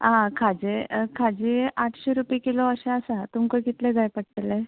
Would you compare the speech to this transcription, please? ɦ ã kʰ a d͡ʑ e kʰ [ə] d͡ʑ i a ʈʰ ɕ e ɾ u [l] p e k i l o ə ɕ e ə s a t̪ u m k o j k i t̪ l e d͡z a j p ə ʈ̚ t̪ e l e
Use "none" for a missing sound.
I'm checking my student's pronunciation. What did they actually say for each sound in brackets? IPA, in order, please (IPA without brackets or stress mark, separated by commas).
a, none